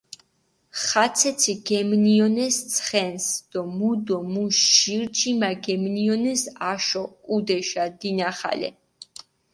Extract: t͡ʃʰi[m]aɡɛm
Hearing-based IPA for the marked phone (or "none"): m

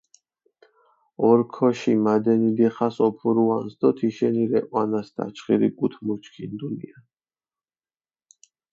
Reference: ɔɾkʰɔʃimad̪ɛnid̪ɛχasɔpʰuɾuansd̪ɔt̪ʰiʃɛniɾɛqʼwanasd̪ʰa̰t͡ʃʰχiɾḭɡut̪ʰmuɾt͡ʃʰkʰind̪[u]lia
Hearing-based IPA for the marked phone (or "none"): u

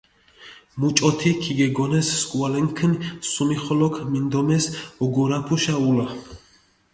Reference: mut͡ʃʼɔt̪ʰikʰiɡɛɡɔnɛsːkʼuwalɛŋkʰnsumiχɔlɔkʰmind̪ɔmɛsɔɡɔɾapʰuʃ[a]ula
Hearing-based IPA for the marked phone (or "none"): a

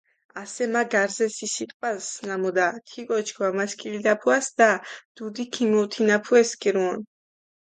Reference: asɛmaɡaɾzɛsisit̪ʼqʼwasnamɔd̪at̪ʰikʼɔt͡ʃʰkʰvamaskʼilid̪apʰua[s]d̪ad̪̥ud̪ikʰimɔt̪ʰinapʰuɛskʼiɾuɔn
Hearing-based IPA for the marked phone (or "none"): s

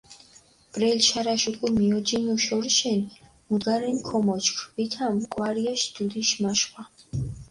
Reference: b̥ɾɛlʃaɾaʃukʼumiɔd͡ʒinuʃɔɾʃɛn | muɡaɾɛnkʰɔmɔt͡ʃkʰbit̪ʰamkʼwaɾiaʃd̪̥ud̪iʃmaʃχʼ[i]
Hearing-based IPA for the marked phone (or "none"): a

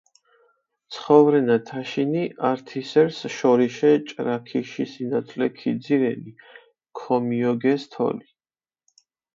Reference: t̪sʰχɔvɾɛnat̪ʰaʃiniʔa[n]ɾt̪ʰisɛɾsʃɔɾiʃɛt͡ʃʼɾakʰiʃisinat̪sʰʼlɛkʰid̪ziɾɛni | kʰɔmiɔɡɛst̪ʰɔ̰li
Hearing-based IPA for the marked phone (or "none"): none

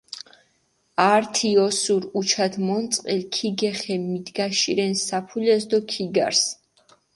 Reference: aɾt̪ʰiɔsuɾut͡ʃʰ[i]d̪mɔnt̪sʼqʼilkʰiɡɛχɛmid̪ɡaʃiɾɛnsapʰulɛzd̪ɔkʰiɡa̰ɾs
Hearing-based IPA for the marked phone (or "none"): a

